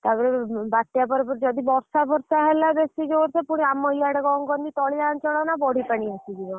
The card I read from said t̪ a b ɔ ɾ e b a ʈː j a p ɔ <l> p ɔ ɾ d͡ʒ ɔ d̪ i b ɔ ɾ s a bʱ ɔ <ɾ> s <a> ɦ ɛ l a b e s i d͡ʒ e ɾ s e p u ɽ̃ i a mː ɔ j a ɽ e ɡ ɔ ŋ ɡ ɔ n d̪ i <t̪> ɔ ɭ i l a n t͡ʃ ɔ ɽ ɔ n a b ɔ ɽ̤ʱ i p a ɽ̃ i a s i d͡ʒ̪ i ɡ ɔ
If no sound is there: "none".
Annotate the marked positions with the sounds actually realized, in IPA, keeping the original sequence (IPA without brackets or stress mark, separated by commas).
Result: ɾ, ɾ, a, t̪